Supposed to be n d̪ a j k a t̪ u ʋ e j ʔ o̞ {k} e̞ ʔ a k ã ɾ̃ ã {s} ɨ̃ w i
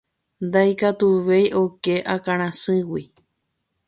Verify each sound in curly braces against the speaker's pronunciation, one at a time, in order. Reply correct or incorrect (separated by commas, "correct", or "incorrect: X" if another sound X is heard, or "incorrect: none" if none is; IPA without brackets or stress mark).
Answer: correct, correct